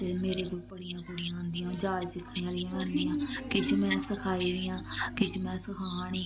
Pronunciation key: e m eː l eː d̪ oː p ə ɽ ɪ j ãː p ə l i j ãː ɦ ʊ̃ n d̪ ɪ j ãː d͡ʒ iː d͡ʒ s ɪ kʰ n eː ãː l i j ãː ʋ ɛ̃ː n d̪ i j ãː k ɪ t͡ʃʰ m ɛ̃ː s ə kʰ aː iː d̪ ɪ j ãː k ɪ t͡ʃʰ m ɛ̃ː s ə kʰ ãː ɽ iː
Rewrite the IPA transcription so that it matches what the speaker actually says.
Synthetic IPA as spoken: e m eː ɾ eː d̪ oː p ə ɽ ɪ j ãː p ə ɽ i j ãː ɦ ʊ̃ n d̪ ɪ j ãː d͡ʒ aː d͡ʒ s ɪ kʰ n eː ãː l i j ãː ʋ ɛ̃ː n d̪ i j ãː k ɪ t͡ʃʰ m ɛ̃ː s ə kʰ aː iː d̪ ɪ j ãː k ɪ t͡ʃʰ m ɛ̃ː s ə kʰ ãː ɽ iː